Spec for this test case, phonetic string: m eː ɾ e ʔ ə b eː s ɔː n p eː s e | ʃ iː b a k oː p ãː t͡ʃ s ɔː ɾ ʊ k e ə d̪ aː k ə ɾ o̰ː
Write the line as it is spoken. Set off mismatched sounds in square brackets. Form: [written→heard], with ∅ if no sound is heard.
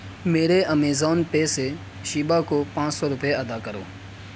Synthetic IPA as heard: m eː ɾ e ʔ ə [b→m] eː [s→z] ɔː n p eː s e | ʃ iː b a k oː p ãː t͡ʃ s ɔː ɾ ʊ [k→p] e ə d̪ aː k ə ɾ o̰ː

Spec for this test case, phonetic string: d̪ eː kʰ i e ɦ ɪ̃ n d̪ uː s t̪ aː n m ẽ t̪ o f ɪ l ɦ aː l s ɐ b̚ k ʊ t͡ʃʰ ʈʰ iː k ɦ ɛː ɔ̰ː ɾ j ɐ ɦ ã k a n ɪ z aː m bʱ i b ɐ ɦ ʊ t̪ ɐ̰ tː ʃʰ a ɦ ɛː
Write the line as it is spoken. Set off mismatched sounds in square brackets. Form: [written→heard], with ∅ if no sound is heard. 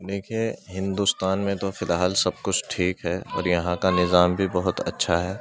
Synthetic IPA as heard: d̪ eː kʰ i e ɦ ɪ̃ n d̪ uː s t̪ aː n m ẽ t̪ o f ɪ l ɦ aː l s ɐ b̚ k ʊ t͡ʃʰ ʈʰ iː k ɦ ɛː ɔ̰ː ɾ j ɐ ɦ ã k a n ɪ z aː m bʱ i b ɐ ɦ ʊ t̪ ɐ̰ tː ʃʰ a ɦ ɛː

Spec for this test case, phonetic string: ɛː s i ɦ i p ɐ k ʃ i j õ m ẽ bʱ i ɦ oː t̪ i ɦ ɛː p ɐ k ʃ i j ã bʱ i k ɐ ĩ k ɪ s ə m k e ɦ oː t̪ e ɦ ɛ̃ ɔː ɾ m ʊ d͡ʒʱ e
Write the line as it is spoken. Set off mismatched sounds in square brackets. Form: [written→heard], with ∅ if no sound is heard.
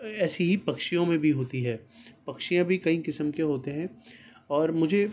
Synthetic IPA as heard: ɛː s i ɦ i p ɐ k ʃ i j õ m ẽ bʱ i ɦ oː t̪ i ɦ ɛː p ɐ k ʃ i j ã bʱ i k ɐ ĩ k ɪ s ə m k e ɦ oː t̪ e ɦ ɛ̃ ɔː ɾ m ʊ d͡ʒʱ e

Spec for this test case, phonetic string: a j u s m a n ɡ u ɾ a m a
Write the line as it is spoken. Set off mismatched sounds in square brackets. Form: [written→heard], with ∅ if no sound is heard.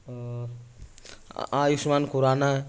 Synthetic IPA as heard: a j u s m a n [ɡ→k] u ɾ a [m→n] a

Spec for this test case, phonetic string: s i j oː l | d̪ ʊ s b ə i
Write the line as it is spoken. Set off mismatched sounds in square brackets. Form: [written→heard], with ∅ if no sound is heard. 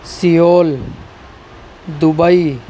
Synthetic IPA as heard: s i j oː l | d̪ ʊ [s→∅] b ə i

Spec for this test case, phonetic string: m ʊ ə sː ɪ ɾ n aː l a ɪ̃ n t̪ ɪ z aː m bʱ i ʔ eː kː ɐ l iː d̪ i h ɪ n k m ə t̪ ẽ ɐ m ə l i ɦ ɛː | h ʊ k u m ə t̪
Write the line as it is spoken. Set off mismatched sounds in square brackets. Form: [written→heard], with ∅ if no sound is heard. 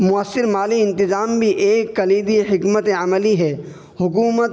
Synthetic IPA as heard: m ʊ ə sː ɪ ɾ [n→m] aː l [a→i] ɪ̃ n t̪ ɪ z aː m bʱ i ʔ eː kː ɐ l iː d̪ i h ɪ [n→∅] k m ə t̪ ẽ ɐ m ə l i ɦ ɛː | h ʊ k [u→uː] m ə t̪

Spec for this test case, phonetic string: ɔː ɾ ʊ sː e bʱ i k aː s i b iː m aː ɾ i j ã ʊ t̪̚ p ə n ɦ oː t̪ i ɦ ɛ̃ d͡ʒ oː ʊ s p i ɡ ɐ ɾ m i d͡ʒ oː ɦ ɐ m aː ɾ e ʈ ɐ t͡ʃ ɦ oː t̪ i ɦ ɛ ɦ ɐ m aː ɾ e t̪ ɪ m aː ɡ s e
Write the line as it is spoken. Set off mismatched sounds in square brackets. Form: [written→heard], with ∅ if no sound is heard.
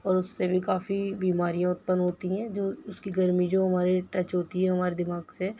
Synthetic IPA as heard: ɔː ɾ ʊ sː e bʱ i k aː [s→f] i b iː m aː ɾ i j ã ʊ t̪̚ p ə n ɦ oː t̪ i ɦ ɛ̃ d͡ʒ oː ʊ s [p→k] i ɡ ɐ ɾ m i d͡ʒ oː ɦ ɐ m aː ɾ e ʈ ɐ t͡ʃ ɦ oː t̪ i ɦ ɛ ɦ ɐ m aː ɾ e [t̪→d̪] ɪ m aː ɡ s e

